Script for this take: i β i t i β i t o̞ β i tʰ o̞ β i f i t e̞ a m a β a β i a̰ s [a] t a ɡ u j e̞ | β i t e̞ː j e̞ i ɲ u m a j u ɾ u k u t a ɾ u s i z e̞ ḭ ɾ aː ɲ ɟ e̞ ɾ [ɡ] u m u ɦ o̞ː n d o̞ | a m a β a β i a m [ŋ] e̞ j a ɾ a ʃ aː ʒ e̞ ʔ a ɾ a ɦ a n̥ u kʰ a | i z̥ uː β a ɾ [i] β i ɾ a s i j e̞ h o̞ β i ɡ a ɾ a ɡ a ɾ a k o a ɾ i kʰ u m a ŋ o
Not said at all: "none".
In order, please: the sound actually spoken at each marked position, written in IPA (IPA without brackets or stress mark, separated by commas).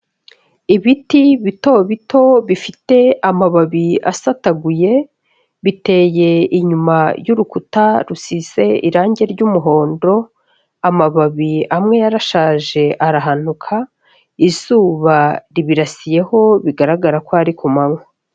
a, ɟ, ŋ, i